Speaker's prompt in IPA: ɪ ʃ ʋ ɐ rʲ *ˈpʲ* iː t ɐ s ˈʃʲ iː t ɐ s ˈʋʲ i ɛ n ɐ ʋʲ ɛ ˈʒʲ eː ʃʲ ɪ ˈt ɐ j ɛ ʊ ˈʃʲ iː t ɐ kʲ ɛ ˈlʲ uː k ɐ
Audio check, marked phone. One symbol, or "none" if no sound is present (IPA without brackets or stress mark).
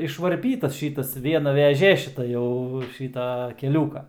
pʲ